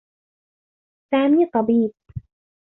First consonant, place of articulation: alveolar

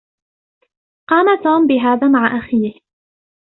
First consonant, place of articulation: uvular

